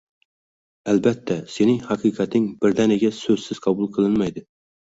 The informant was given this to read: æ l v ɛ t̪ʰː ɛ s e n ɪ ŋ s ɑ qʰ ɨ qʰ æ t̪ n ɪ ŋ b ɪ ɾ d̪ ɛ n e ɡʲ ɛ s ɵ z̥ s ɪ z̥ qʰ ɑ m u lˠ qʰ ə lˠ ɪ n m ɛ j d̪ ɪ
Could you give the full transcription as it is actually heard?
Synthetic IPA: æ l b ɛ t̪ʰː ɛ s e n ɪ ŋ h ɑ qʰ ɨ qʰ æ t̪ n ɪ ŋ b ɪ ɾ d̪ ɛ n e ɡʲ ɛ s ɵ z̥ s ɪ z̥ qʰ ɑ b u lˠ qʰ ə lˠ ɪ n m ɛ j d̪ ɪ